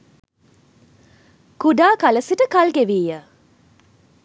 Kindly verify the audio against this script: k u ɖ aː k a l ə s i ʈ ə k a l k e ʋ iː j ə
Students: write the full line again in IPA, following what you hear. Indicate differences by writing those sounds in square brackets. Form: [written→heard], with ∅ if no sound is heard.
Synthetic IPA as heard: k u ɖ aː k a l ə s i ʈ ə k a l [k→ɡ] e ʋ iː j ə